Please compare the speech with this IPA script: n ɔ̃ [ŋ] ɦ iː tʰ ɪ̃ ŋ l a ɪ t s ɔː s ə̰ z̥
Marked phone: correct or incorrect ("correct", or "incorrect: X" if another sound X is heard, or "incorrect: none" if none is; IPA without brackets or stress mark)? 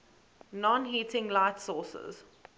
incorrect: n